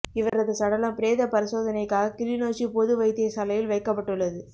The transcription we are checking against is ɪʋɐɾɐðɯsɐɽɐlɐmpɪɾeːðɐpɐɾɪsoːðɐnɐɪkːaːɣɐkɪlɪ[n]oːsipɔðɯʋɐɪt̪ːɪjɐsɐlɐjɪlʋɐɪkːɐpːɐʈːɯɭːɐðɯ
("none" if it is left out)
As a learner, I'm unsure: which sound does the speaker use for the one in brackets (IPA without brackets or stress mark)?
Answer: n